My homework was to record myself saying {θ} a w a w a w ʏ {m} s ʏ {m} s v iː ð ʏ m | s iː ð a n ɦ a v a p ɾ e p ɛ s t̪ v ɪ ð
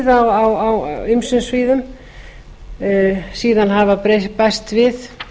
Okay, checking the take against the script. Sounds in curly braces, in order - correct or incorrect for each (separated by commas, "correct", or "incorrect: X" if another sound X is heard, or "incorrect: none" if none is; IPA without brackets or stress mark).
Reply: incorrect: ð, correct, incorrect: n